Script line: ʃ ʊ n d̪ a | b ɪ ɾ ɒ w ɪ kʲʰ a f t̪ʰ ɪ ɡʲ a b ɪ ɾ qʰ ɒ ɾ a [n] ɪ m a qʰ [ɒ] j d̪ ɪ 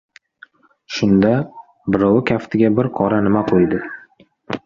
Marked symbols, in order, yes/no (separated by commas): yes, no